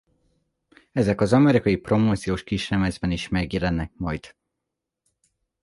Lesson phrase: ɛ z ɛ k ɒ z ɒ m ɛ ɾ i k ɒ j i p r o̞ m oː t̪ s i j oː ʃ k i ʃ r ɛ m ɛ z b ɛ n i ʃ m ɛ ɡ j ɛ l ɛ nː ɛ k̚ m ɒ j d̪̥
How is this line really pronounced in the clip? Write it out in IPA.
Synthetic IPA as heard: ɛ z ɛ k ɒ z ɒ m ɛ ɾ i k ɒ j i p r o̞ m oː t̪ s i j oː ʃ k i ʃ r ɛ m ɛ z b ɛ n i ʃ m ɛ ɡ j ɛ l ɛ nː ɛ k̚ m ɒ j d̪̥